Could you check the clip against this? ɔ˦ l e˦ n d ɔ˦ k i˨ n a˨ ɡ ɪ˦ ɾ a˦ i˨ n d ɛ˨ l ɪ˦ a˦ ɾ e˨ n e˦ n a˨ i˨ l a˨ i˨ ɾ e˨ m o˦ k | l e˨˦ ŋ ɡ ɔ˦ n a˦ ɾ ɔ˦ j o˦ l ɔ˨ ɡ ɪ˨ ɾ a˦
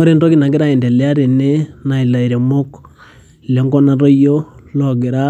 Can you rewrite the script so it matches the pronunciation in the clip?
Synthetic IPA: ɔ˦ ɾ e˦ n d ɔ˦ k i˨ n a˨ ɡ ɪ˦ ɾ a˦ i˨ n d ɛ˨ l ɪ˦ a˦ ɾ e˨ n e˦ n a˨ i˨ l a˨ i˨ ɾ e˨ m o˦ k | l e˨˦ ŋ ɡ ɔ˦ n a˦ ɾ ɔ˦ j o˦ l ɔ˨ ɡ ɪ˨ ɾ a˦

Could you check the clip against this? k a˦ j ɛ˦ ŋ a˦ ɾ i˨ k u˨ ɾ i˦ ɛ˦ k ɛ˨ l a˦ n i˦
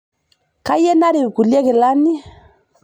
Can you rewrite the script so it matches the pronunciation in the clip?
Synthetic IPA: k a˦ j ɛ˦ n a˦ ɾ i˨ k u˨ l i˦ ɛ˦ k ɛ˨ l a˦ n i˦

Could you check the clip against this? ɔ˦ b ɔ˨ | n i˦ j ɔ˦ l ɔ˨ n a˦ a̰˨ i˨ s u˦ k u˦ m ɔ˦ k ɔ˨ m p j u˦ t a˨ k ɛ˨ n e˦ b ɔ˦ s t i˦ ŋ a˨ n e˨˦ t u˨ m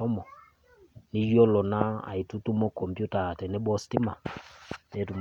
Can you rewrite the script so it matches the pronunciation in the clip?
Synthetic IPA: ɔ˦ m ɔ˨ | n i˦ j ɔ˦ l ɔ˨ n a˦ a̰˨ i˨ t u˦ t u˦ m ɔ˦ k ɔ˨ m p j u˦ t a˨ t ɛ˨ n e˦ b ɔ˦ s t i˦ m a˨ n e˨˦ t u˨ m

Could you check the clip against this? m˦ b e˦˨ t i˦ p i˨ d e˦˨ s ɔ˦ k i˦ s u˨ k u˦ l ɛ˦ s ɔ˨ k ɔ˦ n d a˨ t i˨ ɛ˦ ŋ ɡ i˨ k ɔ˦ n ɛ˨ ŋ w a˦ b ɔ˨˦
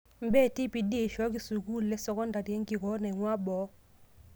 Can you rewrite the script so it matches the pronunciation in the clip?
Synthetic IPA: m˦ b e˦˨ t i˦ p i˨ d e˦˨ ʃ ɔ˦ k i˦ s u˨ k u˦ l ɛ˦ s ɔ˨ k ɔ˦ n d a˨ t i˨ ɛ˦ ŋ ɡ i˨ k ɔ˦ n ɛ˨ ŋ w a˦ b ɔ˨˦

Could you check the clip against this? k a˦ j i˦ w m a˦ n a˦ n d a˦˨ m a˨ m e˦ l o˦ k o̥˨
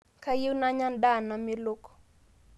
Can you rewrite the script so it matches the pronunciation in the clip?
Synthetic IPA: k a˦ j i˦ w n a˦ ɲ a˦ n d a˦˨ n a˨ m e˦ l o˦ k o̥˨

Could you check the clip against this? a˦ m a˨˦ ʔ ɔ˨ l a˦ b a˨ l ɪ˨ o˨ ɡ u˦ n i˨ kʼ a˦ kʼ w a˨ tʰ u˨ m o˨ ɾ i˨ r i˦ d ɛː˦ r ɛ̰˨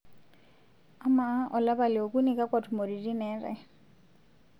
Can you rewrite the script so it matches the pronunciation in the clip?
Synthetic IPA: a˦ m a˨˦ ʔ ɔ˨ l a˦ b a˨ l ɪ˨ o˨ k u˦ n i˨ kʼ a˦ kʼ w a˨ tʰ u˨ m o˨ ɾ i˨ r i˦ n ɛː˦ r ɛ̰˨

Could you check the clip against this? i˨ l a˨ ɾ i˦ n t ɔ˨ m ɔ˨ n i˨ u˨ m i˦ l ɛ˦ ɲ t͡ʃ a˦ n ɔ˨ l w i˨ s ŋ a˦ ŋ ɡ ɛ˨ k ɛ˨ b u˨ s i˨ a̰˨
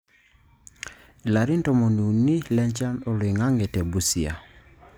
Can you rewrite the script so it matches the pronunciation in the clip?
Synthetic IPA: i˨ l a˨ ɾ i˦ n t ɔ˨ m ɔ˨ n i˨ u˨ n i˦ l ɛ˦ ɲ t͡ʃ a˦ n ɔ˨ l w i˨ ŋ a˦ ŋ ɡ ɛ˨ t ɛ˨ b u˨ s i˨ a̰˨

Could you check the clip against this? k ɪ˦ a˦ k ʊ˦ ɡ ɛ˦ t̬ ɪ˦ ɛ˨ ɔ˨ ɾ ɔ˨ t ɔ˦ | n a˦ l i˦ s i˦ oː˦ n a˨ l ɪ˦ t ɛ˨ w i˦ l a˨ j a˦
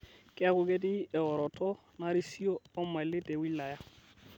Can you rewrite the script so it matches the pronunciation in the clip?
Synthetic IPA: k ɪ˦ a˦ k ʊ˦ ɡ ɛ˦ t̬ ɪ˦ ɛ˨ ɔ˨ ɾ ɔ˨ t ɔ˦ | n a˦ ɾ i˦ s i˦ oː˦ m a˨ l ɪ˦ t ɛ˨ w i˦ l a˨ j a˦

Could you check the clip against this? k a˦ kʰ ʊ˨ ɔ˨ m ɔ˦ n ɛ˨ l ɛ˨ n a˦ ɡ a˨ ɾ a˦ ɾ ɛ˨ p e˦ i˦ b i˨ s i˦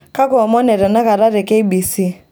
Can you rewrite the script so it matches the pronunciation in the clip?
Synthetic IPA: k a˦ k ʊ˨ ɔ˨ m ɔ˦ n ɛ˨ ɾ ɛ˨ n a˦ k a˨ ɾ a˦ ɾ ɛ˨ k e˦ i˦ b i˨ s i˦

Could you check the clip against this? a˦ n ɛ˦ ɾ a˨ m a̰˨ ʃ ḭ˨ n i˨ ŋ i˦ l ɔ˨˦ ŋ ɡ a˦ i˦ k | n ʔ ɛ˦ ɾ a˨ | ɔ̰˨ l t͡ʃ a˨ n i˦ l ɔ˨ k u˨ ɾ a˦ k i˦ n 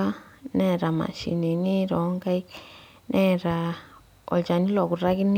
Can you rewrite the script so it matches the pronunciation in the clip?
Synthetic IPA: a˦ n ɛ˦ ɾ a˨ m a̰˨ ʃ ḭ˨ n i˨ n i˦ ɾ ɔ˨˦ ŋ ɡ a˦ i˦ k | n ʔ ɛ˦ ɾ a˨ | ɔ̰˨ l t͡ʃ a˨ n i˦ l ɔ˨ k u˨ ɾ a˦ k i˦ n

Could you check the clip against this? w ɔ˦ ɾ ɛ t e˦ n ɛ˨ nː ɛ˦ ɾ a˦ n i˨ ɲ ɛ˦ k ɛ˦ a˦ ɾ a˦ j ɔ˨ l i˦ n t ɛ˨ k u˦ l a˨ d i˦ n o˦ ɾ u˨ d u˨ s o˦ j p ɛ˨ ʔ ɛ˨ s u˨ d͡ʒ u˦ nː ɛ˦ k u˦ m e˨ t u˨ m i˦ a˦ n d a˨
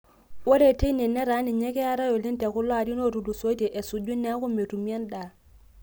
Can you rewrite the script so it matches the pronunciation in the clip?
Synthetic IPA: w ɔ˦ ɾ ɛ t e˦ n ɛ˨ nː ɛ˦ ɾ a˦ n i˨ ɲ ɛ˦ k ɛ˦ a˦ ɾ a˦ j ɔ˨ l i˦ n t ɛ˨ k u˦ l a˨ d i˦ n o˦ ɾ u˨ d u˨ s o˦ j t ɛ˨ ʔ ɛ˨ s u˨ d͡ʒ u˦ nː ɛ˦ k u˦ m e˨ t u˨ m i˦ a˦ n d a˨

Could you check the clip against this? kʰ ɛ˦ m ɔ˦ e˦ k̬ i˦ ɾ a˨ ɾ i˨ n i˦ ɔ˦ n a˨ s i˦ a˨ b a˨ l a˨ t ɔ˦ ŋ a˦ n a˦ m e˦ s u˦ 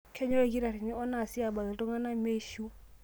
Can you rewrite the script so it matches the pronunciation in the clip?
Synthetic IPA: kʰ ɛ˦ ɲ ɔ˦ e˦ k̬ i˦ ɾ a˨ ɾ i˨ n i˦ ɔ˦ n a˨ s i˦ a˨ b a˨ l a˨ t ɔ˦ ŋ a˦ n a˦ m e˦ ʃ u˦

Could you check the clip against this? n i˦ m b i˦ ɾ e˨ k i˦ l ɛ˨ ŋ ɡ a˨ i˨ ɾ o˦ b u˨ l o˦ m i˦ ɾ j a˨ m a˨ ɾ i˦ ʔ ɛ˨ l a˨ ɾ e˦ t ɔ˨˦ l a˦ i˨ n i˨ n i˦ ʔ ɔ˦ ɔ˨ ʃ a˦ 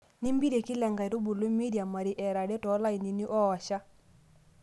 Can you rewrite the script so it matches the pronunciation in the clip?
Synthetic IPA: n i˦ m b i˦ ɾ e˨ k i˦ l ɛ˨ ŋ ɡ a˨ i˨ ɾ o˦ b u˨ l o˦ m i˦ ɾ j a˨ m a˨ ɾ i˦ ʔ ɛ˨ ɾ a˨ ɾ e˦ t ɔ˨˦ l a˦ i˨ n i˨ n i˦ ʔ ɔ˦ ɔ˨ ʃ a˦

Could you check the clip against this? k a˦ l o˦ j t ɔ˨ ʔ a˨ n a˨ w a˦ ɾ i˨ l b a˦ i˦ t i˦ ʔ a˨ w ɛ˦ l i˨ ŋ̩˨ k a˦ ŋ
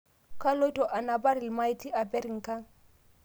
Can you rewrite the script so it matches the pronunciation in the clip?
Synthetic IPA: k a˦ l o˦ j t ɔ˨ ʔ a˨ n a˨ b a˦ ɾ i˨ l m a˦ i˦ t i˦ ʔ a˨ b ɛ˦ ɾ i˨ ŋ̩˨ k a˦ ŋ

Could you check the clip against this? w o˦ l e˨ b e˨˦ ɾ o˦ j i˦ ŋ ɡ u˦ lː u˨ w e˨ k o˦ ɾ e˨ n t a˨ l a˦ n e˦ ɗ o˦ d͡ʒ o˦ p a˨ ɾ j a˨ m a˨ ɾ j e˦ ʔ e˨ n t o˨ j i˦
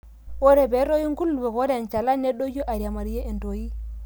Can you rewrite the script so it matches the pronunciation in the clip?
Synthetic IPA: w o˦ ɾ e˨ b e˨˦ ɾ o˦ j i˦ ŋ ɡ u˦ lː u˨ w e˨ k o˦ ɾ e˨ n t͡ʃ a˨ l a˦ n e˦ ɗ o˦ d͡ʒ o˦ ʔ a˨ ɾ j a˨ m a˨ ɾ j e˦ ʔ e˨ n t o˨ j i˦

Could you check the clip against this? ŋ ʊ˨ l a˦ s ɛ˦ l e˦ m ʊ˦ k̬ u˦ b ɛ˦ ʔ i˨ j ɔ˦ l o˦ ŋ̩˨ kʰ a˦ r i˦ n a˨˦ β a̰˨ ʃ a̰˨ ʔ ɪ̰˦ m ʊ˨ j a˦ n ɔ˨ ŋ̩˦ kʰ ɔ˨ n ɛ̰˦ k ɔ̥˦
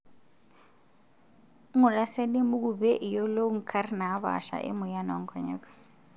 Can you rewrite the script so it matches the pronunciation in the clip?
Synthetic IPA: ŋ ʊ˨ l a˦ s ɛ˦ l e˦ m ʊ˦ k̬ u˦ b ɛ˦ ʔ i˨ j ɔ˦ l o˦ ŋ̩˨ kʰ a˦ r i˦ n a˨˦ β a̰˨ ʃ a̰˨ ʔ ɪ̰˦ m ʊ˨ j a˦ n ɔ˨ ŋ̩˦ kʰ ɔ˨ ɲ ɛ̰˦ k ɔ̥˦

